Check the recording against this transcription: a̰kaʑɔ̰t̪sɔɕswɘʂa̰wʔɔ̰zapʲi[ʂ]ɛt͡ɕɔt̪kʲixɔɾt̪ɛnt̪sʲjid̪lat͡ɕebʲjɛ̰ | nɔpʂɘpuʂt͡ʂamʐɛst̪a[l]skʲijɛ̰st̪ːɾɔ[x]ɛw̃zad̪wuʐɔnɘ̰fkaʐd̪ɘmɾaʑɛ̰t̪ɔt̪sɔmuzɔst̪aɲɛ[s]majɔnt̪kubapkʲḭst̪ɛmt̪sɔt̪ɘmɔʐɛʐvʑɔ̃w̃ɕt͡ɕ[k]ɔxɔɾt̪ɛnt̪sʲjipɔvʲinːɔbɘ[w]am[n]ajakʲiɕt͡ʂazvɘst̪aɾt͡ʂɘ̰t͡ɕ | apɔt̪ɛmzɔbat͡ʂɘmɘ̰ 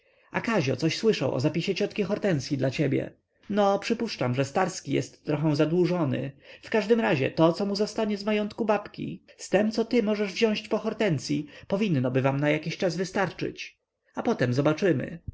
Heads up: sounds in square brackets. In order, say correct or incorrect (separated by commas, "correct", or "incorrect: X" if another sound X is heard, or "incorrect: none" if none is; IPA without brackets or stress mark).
incorrect: ɕ, incorrect: ɾ, correct, incorrect: z, incorrect: p, incorrect: v, correct